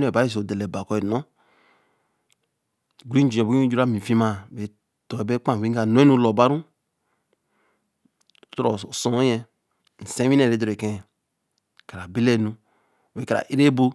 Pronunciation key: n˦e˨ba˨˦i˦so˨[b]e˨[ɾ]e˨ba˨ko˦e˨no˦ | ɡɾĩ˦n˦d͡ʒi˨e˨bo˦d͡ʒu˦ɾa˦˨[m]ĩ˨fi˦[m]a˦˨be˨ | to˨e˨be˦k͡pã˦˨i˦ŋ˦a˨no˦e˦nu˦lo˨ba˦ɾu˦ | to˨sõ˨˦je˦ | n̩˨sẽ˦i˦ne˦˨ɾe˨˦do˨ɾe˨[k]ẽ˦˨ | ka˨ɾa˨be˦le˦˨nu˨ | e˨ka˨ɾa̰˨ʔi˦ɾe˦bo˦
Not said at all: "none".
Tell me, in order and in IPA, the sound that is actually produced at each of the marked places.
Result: d, l, m, m, k

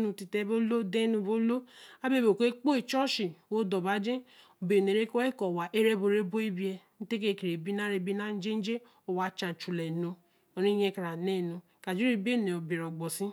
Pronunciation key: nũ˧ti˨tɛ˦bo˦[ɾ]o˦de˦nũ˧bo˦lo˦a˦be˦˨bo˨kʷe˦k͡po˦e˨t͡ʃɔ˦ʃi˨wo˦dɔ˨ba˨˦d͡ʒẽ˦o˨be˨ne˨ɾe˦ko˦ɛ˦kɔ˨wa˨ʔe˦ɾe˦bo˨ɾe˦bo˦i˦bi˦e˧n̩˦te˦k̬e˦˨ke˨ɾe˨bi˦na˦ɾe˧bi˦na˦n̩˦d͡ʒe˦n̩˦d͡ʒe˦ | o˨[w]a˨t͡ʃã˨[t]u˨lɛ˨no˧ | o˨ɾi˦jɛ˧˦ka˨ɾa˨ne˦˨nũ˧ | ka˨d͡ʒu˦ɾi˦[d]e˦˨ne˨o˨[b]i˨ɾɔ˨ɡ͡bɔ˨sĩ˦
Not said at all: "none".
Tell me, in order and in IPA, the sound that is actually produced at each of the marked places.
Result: l, w, t͡ʃ, b, b

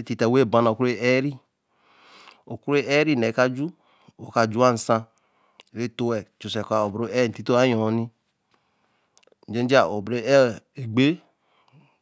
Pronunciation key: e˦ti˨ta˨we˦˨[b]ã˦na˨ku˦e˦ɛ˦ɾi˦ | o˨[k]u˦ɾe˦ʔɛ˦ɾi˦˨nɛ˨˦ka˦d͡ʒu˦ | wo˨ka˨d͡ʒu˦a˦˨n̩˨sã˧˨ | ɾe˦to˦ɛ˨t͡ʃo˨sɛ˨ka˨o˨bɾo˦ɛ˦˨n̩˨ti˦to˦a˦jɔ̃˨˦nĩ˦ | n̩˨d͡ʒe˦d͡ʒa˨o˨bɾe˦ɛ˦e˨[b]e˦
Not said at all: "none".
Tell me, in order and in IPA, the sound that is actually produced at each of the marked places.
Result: b, k, ɡ͡b

